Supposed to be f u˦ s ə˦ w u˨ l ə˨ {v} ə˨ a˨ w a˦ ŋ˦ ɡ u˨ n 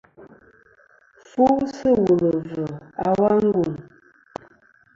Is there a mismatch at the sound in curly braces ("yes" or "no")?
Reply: no